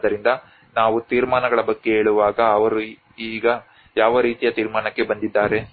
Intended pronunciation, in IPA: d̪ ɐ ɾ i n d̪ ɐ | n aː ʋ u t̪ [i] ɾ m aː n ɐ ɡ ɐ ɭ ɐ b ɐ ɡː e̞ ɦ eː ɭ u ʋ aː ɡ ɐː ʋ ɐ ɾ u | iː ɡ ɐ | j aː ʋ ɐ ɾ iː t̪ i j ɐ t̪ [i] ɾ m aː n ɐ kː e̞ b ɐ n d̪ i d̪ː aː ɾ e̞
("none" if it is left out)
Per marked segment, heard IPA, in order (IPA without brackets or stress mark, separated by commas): iː, iː